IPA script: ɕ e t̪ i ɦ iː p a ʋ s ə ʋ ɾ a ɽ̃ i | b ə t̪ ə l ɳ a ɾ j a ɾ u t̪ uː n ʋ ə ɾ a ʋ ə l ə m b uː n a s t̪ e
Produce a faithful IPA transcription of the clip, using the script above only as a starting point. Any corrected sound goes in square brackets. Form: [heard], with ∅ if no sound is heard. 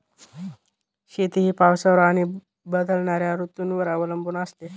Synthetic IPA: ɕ e t̪ i ɦ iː p a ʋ s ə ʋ ɾ a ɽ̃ i | b ə [d̪] ə l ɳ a ɾ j a ɾ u t̪ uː n ʋ ə ɾ a ʋ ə l ə m b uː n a s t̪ e

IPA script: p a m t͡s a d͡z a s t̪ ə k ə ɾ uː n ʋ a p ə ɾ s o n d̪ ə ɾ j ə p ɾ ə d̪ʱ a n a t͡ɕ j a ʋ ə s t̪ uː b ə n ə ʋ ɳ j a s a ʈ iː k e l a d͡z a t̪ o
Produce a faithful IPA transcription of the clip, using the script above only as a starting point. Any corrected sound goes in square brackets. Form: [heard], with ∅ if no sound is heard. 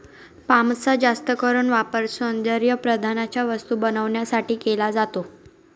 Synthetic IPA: p a m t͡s a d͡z a s t̪ ə k ə ɾ uː n ʋ a p ə ɾ s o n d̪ ə ɾ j ə p ɾ ə d̪ʱ a n a t͡ɕ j a ʋ ə s t̪ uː b ə n ə ʋ ɳ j a s a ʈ iː k e l a d͡z a t̪ o

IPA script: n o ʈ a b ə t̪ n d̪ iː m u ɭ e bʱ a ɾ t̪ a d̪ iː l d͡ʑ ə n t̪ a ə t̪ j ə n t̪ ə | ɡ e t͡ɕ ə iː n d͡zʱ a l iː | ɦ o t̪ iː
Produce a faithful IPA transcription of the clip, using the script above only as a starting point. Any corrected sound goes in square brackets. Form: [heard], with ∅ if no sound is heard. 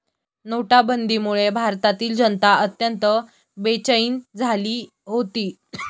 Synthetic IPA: n o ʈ a b ə [∅] n d̪ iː m u ɭ e bʱ a ɾ t̪ a [t̪] iː l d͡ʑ ə n t̪ a ə t̪ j ə n t̪ ə | [b] e t͡ɕ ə iː n d͡zʱ a l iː | ɦ o t̪ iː

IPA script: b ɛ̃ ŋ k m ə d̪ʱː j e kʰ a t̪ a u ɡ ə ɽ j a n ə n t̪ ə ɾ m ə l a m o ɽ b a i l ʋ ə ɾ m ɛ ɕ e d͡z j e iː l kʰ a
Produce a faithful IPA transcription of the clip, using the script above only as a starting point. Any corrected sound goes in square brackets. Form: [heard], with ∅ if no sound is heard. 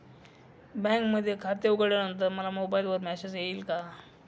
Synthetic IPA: b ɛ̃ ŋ k m ə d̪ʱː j e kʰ a t̪ [e] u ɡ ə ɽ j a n ə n t̪ ə ɾ m ə l a m o [∅] b a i l ʋ ə ɾ m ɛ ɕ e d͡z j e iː l [k] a

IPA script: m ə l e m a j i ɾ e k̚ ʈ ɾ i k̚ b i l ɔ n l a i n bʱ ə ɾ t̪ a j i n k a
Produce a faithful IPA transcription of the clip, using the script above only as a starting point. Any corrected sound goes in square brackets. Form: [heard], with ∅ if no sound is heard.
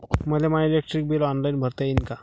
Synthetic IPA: m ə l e m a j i [l] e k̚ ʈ ɾ i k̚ b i l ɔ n l a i n bʱ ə ɾ t̪ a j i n k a

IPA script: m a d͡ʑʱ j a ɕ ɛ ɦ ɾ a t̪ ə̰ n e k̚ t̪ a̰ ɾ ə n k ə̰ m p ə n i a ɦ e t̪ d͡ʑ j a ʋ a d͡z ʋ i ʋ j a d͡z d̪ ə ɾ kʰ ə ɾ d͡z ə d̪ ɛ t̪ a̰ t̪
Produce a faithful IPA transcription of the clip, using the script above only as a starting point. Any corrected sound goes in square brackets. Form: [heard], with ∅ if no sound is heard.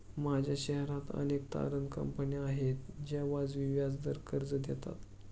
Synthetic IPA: m a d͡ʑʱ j a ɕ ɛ ɦ ɾ a t̪ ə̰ n e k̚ t̪ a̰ ɾ ə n k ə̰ m p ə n i a ɦ e t̪ d͡ʑ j a ʋ a d͡z ʋ i ʋ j a d͡z d̪ ə ɾ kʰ ə ɾ d͡z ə d̪ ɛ t̪ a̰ t̪

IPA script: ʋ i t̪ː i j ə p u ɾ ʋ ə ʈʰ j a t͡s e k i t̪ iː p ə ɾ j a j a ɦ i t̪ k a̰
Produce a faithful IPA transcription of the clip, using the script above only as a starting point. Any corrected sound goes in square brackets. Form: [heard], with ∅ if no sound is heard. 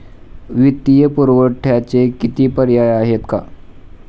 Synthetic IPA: ʋ i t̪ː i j ə p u ɾ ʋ ə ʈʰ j a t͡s e k i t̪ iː p ə ɾ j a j a ɦ [e] t̪ k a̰

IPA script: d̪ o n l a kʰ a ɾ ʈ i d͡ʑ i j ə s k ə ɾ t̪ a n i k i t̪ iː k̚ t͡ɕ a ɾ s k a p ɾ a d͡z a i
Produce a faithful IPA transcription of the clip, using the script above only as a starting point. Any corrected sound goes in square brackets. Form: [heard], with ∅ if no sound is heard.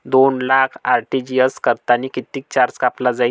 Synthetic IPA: d̪ o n l a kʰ a ɾ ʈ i d͡ʑ i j ə s k ə ɾ t̪ a n i k i t̪ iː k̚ t͡ɕ a ɾ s k a p [l] a d͡z a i

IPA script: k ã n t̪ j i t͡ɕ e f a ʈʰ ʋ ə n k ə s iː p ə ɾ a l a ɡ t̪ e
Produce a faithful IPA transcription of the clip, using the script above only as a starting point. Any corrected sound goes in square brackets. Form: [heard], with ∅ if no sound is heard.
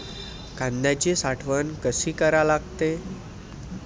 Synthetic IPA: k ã n [d̪] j [a] t͡ɕ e [s] a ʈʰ ʋ ə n k ə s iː [k] ə ɾ a l a ɡ t̪ e

